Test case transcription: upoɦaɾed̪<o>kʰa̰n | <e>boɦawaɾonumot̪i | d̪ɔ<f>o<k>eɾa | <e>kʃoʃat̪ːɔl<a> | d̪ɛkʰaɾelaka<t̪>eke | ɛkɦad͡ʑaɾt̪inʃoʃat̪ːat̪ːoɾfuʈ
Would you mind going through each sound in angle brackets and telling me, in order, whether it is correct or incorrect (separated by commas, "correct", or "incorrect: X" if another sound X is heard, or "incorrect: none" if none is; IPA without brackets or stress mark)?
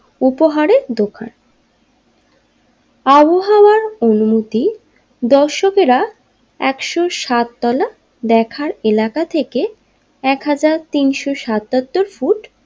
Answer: correct, incorrect: a, incorrect: ʃ, correct, incorrect: ɛ, correct, incorrect: t̪ʰ